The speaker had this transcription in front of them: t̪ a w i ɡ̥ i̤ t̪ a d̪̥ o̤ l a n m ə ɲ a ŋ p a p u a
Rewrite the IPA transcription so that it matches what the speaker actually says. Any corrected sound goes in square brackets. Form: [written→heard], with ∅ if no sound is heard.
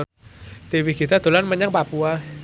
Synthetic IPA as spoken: t̪ [a→i] w i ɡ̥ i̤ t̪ a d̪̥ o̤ l a n m ə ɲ a ŋ p a p u a

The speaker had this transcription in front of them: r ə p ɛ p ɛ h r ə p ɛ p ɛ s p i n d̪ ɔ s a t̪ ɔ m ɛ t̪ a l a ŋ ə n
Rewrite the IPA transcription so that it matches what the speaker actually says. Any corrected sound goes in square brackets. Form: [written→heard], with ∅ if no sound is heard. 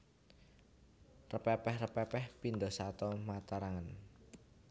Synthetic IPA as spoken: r ə p ɛ p ɛ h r ə p ɛ p ɛ [s→h] p i n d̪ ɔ s a t̪ ɔ m [ɛ→a] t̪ a [l→ɾ] a ŋ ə n

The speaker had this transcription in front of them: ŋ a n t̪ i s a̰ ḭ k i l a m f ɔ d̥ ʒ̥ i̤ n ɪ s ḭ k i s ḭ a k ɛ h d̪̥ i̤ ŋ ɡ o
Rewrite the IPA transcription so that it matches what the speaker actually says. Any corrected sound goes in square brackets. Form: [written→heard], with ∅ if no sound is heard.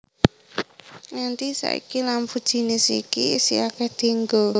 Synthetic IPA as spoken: ŋ a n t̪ i s a̰ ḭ k i l a m f [ɔ→u] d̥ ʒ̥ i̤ n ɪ s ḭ k i s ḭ a k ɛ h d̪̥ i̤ ŋ ɡ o

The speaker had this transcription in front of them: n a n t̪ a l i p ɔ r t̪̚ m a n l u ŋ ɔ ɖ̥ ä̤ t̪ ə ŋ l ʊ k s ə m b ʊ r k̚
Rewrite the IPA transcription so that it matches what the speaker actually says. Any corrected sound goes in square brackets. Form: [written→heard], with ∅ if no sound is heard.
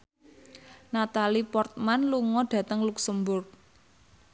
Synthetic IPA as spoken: n a [n→∅] t̪ a l i p ɔ r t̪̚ m a n l u ŋ ɔ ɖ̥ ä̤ t̪ ə ŋ l [ʊ→u] k s ə m b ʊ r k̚

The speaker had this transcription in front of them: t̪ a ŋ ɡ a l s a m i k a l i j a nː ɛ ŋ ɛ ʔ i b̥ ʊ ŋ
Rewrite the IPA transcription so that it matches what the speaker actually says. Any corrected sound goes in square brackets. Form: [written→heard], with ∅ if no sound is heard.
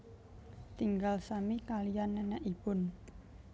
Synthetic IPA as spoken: t̪ [a→i] ŋ ɡ a l s a m i k a l i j a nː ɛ [ŋ→n] ɛ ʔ i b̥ ʊ [ŋ→n]

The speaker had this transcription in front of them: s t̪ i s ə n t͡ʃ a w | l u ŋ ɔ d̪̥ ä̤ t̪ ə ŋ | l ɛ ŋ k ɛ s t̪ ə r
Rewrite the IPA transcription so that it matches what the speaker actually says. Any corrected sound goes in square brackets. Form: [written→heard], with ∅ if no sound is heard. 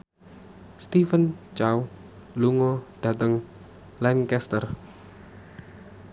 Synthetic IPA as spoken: s t̪ i [s→f] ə n t͡ʃ a w | l u ŋ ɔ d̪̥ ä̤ t̪ ə ŋ | l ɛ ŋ k ɛ s t̪ ə r

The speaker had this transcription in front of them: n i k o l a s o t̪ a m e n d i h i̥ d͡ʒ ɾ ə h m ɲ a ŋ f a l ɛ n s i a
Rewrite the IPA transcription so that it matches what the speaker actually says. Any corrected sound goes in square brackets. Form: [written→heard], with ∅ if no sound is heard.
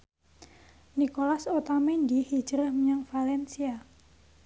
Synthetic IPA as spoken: n i k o l a s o t̪ a m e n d i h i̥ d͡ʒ ɾ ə h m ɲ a ŋ f a l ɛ n s i a

